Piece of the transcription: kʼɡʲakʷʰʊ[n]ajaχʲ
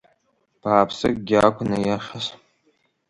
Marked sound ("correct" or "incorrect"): correct